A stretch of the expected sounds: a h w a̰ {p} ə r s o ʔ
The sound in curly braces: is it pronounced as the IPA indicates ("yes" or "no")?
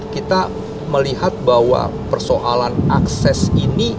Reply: yes